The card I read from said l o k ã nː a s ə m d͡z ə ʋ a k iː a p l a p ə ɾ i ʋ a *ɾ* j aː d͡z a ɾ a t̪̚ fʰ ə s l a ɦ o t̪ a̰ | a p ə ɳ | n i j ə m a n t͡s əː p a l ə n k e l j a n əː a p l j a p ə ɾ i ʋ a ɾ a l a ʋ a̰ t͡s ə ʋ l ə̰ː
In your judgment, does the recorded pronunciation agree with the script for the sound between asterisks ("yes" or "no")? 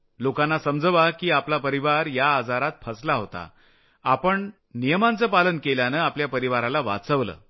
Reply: yes